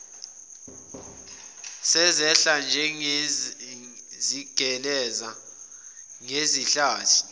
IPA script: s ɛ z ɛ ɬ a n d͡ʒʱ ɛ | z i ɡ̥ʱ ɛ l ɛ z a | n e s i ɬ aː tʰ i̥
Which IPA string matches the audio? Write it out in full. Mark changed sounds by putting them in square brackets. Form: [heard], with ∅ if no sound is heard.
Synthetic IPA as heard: s ɛ z ɛ ɬ a n d͡ʒʱ ɛ | z i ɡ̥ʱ ɛ l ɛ z a | [ŋ] e [z] i ɬ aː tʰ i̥

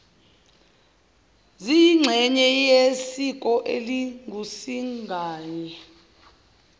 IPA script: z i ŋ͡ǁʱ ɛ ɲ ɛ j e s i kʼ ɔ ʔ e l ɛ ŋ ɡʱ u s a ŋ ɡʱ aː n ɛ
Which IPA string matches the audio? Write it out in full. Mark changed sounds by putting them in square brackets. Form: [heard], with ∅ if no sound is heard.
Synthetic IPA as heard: z i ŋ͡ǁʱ ɛ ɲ ɛ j e s i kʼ ɔ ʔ e l [i] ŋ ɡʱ u s [i] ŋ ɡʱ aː [ɲ] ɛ

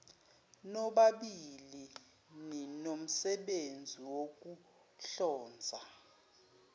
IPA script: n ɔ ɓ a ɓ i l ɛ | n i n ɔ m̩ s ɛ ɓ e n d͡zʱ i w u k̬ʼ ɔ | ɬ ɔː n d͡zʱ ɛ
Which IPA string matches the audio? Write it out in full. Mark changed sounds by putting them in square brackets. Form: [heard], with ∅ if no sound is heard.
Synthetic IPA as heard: n ɔ ɓ a ɓ i l [i] | n i n [o] m̩ s ɛ ɓ e n d͡zʱ i w [o] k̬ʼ [u] | ɬ ɔː n d͡zʱ [a]

